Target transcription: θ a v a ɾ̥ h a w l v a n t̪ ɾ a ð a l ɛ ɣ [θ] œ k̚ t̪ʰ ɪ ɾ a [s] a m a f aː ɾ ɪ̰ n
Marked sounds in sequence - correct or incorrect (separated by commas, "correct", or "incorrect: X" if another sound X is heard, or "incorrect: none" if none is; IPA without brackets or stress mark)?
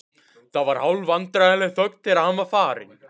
correct, incorrect: h